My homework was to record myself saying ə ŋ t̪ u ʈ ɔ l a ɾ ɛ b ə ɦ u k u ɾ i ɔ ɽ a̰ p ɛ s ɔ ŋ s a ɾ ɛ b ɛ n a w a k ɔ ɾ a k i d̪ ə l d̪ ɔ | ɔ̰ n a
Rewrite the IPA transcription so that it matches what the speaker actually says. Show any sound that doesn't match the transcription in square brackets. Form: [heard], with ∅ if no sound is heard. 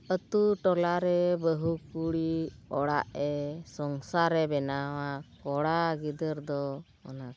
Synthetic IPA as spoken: ə [∅] t̪ u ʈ ɔ l a ɾ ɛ b ə ɦ u k u [ɽ] i ɔ ɽ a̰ [ʔ] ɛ s ɔ ŋ s a ɾ ɛ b ɛ n a w a k ɔ [ɽ] a [ɡ] i d̪ ə [ɾ] d̪ ɔ | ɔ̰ n a